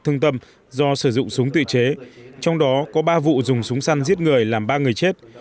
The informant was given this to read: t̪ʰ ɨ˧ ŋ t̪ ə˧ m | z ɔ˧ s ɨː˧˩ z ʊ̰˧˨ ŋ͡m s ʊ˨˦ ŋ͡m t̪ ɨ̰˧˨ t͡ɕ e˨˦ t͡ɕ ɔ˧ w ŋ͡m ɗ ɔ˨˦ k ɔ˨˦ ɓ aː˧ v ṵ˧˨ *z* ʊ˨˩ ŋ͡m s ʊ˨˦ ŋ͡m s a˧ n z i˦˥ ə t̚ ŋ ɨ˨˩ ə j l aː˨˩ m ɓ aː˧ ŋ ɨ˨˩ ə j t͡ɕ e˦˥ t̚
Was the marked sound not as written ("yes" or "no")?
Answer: no